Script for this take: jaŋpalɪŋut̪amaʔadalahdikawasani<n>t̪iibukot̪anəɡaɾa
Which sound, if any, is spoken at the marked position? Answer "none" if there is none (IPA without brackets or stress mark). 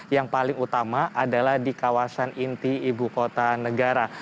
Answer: n